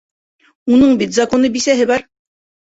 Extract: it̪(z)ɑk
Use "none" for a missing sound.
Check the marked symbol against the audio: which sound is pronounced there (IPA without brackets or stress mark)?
z